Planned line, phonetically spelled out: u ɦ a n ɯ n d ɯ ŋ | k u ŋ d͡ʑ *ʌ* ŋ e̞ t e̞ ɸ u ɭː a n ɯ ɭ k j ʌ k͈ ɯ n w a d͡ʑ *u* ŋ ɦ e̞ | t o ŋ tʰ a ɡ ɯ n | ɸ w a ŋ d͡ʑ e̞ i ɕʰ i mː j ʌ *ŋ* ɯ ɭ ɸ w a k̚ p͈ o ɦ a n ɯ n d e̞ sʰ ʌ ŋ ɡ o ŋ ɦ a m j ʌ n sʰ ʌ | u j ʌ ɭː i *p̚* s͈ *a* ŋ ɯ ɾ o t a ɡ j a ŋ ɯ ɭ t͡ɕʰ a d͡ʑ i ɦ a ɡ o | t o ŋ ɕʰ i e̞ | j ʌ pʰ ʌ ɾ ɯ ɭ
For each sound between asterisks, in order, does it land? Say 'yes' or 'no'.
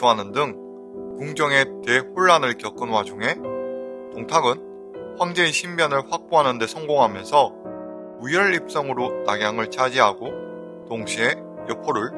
yes, yes, no, yes, no

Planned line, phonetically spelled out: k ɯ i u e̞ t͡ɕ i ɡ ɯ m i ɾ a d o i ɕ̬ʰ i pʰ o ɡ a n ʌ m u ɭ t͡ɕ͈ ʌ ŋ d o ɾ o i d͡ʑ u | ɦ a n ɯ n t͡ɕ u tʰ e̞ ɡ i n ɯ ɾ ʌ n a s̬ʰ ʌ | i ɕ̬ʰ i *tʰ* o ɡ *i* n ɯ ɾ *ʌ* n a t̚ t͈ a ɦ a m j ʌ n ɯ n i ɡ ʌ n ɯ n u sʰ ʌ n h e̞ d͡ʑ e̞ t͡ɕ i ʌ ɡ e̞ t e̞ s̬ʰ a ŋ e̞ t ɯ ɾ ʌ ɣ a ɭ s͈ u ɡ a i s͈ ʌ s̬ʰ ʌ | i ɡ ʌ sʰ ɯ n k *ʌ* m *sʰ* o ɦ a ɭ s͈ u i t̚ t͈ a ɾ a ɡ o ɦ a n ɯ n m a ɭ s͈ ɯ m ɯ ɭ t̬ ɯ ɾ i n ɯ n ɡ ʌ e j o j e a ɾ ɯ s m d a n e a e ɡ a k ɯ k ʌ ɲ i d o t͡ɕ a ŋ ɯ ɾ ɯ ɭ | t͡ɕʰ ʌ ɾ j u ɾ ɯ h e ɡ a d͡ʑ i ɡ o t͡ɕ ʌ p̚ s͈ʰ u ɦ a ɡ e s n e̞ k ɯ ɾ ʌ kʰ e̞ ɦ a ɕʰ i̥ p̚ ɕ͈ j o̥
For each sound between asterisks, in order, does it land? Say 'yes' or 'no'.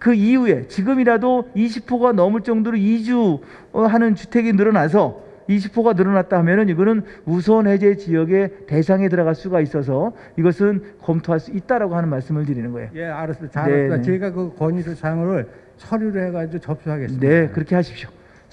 no, no, yes, yes, no

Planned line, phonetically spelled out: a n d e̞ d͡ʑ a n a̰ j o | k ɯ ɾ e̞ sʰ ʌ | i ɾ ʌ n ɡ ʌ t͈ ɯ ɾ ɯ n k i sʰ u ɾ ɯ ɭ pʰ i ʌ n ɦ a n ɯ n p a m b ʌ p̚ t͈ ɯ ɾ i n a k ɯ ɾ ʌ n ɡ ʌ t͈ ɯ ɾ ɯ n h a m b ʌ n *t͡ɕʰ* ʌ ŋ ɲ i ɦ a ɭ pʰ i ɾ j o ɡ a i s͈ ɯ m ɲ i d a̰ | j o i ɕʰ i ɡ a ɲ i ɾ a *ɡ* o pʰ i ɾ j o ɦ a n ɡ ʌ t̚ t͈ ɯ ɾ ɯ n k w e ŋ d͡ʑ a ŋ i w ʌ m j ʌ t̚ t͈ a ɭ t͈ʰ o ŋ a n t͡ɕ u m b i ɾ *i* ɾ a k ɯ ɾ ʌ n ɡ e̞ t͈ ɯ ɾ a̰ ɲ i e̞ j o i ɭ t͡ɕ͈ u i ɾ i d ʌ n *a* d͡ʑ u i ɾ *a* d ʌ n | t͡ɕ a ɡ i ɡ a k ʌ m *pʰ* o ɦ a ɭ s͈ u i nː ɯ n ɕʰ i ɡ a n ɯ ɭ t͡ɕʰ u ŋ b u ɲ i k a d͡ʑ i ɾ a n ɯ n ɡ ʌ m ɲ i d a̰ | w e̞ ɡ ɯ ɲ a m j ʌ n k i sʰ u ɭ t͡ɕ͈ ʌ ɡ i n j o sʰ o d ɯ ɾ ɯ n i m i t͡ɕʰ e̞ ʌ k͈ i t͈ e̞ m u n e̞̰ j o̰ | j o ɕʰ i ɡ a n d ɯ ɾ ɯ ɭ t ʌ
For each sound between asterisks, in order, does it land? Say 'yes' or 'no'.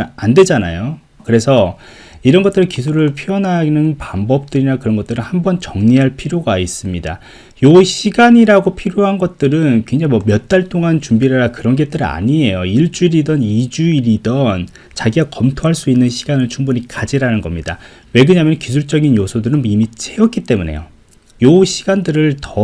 no, yes, no, no, no, no

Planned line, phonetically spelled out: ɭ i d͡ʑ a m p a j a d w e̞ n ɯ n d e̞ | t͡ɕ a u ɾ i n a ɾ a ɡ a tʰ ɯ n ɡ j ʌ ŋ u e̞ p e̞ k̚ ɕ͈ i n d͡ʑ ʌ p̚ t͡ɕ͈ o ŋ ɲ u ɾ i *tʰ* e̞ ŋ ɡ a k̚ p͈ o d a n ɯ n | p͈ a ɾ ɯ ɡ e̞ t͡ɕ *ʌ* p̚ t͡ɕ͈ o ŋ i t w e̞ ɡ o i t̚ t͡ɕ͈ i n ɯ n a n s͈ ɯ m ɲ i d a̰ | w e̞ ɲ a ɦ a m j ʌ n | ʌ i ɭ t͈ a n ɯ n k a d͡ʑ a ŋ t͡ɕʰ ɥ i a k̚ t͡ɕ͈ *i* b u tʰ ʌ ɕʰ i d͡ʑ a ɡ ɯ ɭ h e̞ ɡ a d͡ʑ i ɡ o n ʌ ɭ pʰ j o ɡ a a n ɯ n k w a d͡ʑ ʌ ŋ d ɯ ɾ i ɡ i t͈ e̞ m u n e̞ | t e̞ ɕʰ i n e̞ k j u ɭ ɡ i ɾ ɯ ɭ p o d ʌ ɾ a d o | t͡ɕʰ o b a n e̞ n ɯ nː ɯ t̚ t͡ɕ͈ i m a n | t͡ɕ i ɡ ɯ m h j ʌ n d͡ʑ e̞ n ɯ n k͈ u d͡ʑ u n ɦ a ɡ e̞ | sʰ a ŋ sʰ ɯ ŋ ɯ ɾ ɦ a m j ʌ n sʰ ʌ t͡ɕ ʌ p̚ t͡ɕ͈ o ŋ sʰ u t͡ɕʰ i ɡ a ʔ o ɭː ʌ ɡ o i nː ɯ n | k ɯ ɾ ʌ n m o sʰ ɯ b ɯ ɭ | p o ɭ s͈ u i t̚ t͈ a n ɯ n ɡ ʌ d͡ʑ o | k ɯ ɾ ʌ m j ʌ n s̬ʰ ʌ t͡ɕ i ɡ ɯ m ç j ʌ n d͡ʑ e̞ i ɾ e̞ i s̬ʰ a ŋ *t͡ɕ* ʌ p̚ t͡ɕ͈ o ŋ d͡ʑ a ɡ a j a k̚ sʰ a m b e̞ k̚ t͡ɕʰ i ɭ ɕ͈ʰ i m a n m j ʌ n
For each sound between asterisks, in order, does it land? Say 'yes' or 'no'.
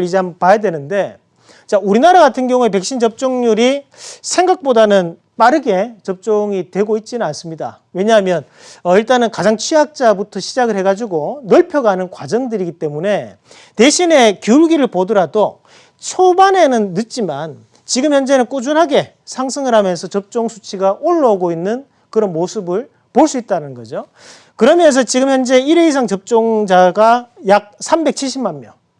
no, yes, no, yes

